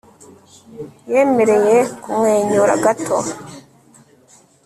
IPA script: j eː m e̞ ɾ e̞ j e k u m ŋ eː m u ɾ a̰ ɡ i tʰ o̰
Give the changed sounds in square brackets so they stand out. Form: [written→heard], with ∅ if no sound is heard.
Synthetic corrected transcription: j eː m e̞ ɾ e̞ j e k u m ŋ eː [m→ɲ] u ɾ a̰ ɡ [i→a] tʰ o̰